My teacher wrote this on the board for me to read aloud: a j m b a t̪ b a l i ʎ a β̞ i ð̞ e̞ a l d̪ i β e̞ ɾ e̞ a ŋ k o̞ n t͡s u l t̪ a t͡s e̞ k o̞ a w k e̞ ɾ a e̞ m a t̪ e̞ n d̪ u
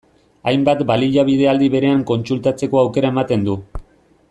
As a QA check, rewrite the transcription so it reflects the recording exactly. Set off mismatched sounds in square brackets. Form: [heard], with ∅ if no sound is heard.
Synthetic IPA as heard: a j m b a t̪ b a l i ʎ a β̞ i ð̞ e̞ a l d̪ i β e̞ ɾ e̞ a ŋ k o̞ n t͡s u l t̪ a t͡s e̞ k o̞ a w k e̞ ɾ a e̞ m a t̪ e̞ n d̪ u